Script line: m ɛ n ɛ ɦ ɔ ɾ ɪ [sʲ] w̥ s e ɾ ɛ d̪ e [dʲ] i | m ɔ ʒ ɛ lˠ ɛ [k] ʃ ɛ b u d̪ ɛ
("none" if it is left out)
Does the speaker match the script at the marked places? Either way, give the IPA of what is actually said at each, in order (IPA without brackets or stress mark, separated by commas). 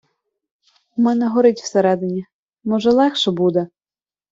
tʲ, nʲ, x